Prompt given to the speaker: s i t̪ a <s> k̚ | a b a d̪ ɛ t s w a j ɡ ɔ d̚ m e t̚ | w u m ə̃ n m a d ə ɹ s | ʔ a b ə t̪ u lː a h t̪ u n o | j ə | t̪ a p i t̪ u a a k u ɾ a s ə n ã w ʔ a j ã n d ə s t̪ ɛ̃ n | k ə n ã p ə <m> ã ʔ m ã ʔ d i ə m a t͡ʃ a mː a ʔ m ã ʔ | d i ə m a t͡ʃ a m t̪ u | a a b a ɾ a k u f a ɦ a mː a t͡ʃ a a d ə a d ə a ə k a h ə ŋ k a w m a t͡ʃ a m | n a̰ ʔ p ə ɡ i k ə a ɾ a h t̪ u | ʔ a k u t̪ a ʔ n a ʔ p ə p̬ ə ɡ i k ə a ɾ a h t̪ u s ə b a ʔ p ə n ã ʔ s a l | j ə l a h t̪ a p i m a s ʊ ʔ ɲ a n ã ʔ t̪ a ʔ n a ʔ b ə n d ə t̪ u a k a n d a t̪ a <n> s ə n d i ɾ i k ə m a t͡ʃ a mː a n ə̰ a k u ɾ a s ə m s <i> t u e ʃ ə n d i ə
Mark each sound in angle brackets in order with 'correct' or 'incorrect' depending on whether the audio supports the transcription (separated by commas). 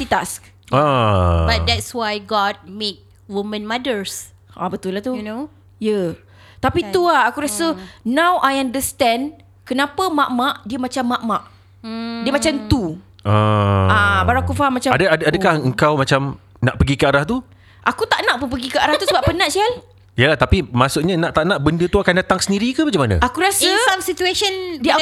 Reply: correct, correct, incorrect, correct